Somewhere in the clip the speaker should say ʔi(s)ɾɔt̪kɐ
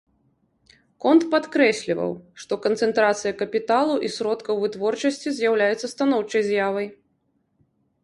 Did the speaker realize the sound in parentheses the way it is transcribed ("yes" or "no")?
yes